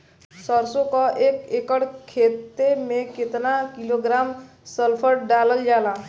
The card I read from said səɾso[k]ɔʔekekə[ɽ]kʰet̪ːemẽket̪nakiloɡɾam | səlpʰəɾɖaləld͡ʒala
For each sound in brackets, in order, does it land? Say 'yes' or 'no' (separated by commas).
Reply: yes, yes